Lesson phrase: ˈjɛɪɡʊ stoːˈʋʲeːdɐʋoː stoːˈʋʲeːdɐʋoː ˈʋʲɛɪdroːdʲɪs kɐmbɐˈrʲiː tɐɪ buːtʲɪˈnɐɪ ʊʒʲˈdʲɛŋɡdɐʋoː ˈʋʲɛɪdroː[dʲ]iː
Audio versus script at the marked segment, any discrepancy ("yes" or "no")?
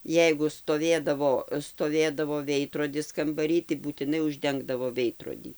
no